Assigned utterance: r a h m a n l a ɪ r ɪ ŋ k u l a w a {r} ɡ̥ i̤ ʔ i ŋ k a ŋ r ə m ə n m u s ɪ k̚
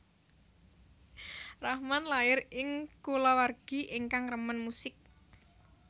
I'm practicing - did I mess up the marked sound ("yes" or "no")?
no